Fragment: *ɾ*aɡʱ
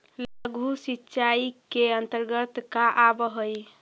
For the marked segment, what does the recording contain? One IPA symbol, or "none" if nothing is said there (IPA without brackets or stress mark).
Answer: l